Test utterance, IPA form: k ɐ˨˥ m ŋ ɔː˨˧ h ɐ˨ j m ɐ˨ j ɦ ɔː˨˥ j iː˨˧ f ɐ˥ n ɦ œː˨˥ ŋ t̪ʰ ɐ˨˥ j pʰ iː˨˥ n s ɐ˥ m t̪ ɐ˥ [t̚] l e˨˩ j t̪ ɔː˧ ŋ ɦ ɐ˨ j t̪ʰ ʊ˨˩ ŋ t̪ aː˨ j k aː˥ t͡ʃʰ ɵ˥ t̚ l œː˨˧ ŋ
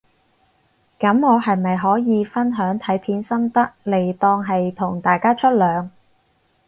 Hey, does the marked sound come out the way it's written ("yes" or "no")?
no